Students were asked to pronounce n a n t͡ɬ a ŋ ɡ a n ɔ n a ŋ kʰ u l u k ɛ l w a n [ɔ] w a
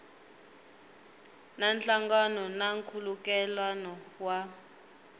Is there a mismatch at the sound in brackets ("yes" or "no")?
no